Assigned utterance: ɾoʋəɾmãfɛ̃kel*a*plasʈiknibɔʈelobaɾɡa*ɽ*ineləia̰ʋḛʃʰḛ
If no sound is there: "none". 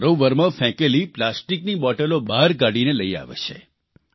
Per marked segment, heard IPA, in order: i, ɽ

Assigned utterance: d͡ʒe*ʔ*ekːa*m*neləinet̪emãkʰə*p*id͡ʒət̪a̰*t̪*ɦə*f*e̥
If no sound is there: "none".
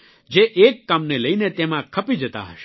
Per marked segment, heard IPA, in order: ʔ, m, p, none, ʃ

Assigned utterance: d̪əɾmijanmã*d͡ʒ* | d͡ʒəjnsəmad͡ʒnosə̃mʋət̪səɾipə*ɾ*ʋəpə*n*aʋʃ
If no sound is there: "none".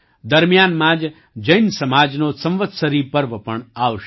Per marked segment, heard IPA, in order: d͡ʒ, ɾ, ɳ

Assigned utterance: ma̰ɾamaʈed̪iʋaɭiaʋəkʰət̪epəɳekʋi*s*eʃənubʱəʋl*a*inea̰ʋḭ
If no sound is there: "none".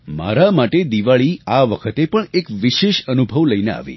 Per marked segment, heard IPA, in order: ʃ, ə

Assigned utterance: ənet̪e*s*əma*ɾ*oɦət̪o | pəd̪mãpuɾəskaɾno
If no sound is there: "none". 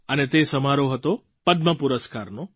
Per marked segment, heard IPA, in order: s, ɾ

